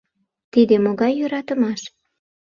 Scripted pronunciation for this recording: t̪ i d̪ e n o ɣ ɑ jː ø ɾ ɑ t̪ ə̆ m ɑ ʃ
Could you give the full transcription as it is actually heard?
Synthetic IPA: t̪ i d̪ e m o ɣ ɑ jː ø ɾ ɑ t̪ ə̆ m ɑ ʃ